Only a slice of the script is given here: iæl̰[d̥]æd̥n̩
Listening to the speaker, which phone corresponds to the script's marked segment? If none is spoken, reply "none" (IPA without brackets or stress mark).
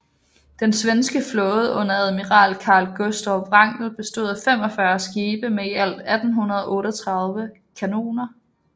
d̥